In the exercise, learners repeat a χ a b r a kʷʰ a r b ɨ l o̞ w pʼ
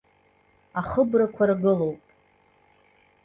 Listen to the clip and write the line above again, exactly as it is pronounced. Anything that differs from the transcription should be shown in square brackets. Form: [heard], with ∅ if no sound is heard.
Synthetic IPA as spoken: a χ [ə] b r a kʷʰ a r [ɡ] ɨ l o̞ w pʼ